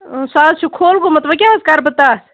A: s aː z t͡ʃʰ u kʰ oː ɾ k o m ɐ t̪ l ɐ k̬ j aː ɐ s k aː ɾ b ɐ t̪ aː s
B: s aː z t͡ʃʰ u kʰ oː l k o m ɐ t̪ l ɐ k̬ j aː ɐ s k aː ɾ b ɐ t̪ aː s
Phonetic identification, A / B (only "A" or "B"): B